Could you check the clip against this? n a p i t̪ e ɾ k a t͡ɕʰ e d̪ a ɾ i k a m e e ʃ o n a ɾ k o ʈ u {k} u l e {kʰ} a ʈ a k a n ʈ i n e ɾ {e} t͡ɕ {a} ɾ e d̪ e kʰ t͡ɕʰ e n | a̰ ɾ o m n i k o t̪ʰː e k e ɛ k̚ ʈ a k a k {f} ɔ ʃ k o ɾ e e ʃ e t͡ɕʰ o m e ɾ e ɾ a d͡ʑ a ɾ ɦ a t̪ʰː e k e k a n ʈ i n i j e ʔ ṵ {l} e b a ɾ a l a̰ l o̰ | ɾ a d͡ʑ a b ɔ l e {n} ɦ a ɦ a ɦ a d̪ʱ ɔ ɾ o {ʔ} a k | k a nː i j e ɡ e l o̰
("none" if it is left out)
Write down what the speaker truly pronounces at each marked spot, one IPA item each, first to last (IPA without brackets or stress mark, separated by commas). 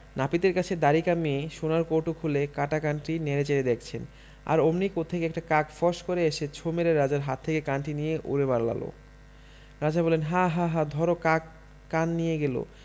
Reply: kʰ, k, e, e, f, ɾ, n, k